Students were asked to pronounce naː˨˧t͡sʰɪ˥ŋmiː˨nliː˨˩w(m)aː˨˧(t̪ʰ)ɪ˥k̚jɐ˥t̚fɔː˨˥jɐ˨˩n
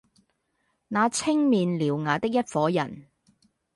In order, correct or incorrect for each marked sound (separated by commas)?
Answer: incorrect, incorrect